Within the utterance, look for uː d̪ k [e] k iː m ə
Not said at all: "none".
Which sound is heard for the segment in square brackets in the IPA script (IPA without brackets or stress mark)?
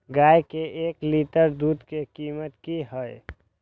e